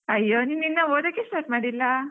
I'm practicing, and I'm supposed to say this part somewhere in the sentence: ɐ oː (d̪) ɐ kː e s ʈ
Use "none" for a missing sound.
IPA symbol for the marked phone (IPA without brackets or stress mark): d̪